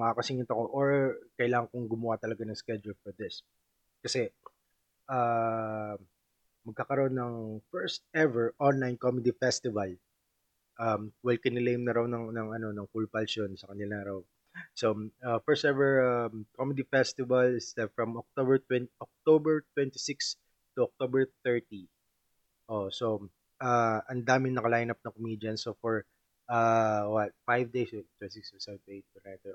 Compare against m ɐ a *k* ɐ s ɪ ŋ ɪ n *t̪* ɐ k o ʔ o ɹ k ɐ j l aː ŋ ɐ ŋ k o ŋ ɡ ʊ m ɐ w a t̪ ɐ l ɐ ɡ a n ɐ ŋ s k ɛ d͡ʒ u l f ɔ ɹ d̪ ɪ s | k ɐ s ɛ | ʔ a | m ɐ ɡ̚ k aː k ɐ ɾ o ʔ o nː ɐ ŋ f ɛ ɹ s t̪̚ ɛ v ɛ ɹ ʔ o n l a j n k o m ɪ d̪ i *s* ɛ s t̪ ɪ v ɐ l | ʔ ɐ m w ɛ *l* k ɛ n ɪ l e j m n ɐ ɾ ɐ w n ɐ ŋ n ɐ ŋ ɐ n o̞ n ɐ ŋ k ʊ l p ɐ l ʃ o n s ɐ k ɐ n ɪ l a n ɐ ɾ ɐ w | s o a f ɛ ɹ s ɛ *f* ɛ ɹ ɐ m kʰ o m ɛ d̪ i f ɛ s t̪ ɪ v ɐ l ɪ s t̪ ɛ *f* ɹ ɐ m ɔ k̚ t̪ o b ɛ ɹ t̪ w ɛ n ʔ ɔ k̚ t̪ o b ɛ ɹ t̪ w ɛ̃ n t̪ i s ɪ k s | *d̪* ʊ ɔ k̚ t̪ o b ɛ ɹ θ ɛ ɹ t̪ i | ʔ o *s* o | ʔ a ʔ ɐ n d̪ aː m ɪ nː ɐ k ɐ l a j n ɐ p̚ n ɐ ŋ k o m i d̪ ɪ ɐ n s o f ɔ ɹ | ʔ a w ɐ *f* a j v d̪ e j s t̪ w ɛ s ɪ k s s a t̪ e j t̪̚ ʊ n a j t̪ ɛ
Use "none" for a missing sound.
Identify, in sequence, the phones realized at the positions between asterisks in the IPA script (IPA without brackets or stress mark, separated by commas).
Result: k, t̪, f, l, v, f, t̪, s, f